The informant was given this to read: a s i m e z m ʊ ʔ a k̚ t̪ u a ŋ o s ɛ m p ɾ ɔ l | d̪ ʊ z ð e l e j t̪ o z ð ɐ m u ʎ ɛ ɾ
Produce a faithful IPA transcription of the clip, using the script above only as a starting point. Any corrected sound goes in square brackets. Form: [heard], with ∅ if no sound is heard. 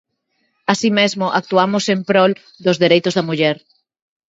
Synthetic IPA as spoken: a s i m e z m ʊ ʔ a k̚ t̪ u a [m] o s [e] m p ɾ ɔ l | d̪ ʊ z ð e [ɾ] e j t̪ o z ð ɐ m u ʎ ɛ ɾ